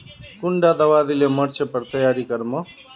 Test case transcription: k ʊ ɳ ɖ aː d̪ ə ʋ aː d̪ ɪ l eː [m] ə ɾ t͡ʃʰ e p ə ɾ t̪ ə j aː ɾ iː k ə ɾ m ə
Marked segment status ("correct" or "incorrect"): correct